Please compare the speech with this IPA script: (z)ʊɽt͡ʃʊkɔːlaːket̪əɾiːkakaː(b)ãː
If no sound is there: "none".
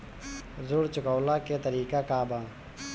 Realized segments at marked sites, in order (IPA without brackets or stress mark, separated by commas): z, b